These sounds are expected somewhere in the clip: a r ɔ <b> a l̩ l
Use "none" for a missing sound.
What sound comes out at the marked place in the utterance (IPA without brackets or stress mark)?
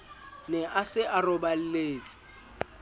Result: b